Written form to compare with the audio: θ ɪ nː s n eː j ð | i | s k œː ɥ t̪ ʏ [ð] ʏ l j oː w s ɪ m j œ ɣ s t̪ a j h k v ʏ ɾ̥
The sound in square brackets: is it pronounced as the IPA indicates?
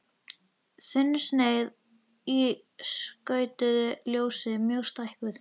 yes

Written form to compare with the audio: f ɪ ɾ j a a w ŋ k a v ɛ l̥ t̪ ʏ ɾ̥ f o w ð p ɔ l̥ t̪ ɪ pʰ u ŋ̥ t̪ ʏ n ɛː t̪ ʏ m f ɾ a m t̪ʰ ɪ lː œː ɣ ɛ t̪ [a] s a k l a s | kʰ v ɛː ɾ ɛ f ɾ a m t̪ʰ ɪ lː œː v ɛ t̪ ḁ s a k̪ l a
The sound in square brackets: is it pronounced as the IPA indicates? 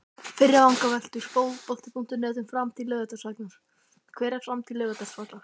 yes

